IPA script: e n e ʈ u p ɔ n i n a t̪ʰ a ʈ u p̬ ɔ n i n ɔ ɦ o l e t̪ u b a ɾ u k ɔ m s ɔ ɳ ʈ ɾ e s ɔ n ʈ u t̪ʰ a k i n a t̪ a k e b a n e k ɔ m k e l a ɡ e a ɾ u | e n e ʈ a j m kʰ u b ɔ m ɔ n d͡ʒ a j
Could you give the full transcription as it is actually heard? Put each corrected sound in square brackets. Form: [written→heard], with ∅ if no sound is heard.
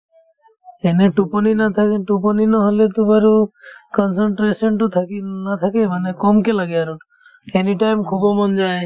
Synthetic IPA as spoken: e n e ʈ u p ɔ n i n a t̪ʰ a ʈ u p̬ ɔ n i n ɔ ɦ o l e t̪ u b a ɾ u k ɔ [m→n] s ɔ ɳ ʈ ɾ e s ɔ n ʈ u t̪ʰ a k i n a [t̪→t̪ʰ] a k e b a n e k ɔ m k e l a ɡ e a ɾ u | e n [e→i] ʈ a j m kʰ u b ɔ m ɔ n d͡ʒ a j